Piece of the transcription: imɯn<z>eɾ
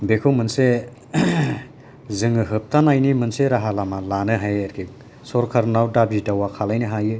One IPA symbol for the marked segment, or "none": s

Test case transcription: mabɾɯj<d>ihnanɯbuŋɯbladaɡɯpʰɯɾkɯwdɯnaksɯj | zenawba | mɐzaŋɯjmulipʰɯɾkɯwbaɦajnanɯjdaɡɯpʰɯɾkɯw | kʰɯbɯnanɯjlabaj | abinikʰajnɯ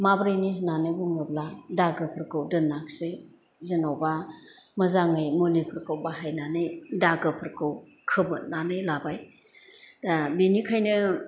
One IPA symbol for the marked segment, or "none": n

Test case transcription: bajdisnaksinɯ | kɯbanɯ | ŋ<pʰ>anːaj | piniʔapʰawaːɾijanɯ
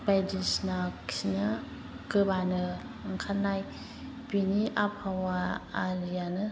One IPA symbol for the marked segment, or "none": kʰ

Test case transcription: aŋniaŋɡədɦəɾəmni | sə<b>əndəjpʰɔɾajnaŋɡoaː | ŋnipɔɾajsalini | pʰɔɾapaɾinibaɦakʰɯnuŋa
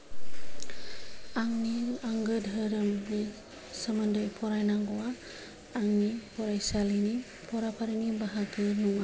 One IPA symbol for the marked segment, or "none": m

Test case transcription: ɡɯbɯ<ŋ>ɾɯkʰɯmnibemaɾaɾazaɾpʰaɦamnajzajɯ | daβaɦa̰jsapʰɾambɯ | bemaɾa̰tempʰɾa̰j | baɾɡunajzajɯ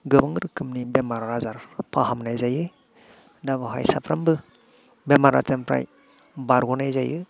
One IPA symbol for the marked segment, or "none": ŋ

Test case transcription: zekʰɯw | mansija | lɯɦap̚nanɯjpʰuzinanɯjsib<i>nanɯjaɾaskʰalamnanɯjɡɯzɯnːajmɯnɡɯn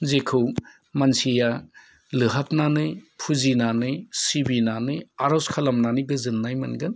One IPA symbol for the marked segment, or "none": i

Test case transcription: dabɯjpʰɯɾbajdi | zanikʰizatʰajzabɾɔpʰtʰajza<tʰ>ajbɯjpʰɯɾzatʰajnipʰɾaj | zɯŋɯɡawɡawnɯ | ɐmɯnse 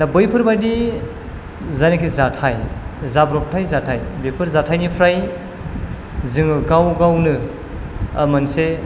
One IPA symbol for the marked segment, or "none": tʰ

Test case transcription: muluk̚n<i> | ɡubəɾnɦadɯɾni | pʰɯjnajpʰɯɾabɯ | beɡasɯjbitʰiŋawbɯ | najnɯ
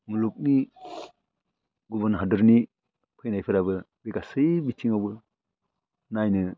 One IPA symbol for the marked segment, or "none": i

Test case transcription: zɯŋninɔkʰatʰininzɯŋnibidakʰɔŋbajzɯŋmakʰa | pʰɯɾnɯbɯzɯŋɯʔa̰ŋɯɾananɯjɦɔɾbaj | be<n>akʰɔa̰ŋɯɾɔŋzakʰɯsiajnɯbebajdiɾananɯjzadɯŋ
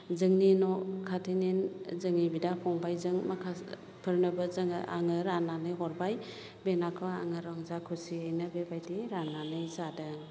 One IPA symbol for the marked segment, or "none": n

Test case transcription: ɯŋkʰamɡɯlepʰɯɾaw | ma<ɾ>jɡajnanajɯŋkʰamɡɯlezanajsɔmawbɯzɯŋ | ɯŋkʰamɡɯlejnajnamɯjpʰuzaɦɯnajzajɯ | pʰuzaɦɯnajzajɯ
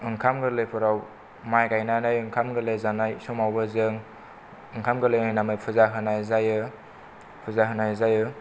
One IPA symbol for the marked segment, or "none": none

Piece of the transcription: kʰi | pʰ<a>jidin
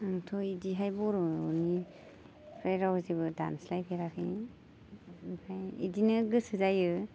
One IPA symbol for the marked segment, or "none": a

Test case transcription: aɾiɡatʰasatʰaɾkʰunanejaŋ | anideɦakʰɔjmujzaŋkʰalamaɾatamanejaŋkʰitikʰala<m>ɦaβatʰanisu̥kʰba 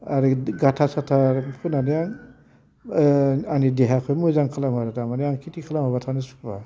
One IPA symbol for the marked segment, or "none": m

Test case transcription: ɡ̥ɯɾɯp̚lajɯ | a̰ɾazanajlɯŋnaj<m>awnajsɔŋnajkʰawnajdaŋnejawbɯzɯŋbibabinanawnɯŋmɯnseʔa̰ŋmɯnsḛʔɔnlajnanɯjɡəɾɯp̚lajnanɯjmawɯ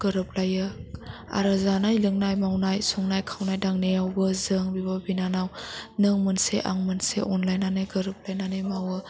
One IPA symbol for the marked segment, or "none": m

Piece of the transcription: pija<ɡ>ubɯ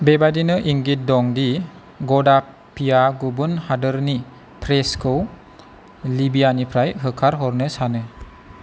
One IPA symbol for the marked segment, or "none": ɡ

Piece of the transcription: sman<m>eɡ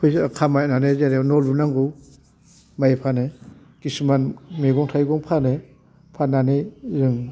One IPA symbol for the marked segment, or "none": m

